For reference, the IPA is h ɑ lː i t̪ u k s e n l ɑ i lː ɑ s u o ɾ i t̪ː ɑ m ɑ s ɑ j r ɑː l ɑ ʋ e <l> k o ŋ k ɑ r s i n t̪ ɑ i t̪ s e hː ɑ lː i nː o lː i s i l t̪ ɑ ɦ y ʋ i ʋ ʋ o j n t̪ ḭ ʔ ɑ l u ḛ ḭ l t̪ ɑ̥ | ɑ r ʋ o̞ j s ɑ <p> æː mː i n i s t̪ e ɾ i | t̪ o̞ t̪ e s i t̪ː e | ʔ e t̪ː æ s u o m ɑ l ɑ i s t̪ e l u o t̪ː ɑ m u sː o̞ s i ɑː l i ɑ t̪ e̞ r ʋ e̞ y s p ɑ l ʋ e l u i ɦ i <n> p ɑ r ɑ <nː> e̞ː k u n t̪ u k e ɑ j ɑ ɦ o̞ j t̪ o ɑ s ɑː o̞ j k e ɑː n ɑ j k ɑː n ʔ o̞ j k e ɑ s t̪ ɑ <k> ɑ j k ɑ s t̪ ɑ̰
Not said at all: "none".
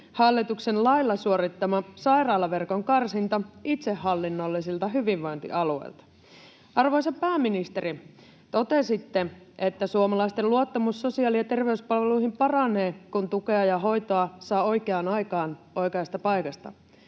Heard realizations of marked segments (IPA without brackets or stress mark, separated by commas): r, p, m, n, p